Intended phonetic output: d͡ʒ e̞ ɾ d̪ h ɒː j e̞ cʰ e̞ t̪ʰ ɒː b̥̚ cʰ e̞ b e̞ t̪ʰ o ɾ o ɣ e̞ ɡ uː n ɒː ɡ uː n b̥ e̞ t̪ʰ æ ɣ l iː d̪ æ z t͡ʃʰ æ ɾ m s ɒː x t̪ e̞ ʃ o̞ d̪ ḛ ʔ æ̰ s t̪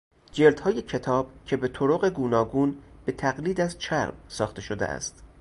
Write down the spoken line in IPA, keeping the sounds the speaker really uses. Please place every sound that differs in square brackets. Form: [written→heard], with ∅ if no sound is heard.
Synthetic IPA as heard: d͡ʒ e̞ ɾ d̪ h ɒː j e̞ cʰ e̞ t̪ʰ ɒː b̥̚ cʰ e̞ b e̞ t̪ʰ o ɾ o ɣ e̞ ɡ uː n ɒː ɡ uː n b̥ e̞ t̪ʰ æ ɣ l iː d̪ æ z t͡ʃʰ æ ɾ m s ɒː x t̪ e̞ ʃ o̞ d̪ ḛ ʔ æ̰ s t̪